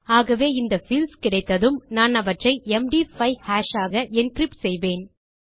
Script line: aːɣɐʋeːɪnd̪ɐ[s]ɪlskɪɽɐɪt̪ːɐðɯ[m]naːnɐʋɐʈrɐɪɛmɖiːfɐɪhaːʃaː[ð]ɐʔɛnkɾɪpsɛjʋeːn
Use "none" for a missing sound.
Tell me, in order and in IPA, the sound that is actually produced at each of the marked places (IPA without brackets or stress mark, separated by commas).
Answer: f, m, ɣ